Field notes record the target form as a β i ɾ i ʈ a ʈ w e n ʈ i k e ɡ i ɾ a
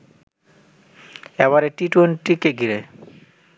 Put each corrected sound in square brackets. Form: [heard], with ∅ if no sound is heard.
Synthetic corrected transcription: [ɛ] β [a] ɾ [e] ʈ [i] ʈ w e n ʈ i k e ɡ i ɾ [e]